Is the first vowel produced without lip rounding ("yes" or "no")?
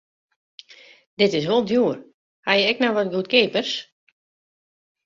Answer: yes